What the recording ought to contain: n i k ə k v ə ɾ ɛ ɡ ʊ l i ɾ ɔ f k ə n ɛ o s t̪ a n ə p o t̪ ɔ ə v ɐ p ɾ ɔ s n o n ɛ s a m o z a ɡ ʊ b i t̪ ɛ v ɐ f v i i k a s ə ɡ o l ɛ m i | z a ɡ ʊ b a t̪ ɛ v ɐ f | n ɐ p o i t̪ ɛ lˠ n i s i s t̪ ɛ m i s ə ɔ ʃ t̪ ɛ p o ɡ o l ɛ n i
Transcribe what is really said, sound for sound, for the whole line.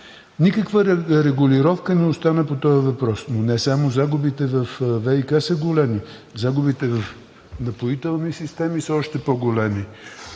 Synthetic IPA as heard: n i k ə k v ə ɾ ɛ ɡ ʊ l i ɾ ɔ f k ə n ɛ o s t̪ a n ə p o t̪ ɔ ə v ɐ p ɾ ɔ s n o n ɛ s a m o z a ɡ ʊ b i t̪ ɛ v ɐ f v ɛ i k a s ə ɡ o l ɛ m i | z a ɡ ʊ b i t̪ ɛ v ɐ f | n ɐ p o i t̪ ɛ lˠ n i s i s t̪ ɛ m i s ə ɔ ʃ t̪ ɛ p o ɡ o l ɛ m i